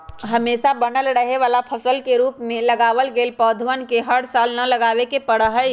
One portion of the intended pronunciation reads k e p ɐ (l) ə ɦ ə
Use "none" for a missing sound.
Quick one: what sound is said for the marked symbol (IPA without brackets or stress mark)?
ɽ